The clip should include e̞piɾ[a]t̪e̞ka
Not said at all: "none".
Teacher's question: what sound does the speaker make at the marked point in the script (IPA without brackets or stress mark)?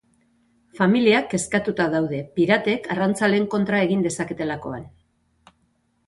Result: a